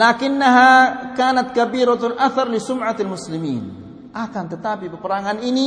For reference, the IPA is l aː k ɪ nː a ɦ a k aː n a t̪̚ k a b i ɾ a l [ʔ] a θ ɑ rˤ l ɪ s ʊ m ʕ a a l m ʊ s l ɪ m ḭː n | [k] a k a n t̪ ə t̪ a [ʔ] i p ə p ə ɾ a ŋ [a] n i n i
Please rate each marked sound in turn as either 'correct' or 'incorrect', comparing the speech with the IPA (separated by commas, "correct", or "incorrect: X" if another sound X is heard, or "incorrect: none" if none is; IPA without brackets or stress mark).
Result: correct, incorrect: ʔ, incorrect: p, correct